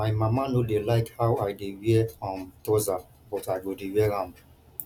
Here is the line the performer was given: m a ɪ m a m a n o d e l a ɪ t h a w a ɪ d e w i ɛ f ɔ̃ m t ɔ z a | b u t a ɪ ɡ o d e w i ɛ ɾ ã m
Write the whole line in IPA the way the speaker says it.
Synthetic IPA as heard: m a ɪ m a m a n o d e l a ɪ k h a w a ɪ d e w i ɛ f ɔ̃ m t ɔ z a | b ɔ t a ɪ ɡ o d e w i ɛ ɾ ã m